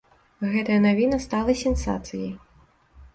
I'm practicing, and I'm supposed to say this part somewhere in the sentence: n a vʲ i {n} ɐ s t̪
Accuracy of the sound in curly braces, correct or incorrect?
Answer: correct